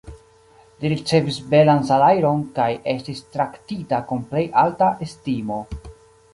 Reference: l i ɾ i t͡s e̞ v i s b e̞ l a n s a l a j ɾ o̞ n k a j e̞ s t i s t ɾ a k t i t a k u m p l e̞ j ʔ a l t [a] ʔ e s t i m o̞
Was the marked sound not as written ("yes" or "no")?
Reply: no